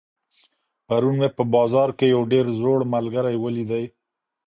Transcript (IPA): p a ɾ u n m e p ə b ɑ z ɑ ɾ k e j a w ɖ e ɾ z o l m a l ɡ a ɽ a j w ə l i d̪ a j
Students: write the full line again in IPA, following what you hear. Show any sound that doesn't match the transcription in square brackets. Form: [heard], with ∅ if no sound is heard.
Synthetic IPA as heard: p a ɾ u n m e p ə b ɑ z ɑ ɾ k e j a w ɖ e ɾ z o [ɽ] m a l ɡ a [ɾ] a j w ə l i d̪ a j